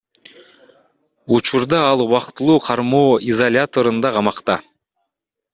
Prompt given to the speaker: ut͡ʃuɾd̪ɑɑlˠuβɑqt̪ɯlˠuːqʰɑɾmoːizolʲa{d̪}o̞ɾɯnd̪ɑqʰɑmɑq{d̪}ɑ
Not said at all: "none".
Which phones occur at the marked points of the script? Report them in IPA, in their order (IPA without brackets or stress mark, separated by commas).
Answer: t̪, t̪